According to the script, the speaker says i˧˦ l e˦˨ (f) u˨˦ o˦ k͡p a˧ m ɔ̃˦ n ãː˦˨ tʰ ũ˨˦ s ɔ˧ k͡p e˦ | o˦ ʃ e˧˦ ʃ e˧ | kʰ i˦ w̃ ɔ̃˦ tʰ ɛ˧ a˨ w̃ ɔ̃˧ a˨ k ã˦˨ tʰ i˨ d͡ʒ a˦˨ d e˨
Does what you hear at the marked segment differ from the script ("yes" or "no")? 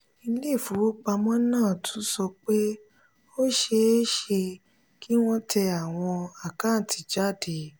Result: no